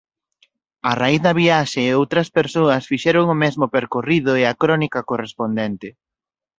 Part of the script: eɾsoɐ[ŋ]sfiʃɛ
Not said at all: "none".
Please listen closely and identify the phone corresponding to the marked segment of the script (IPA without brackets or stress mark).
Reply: none